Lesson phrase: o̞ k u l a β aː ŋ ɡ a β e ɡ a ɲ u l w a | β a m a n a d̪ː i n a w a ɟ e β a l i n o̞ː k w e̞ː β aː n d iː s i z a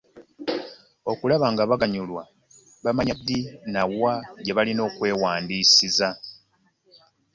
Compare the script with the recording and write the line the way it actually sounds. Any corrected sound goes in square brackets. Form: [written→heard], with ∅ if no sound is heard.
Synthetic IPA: o̞ k u l a β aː ŋ ɡ a β [e→a] ɡ a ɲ u l w a | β a m a [n→ɲ] a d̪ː i n a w a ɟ e β a l i n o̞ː k w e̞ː [β→w] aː n d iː s i z a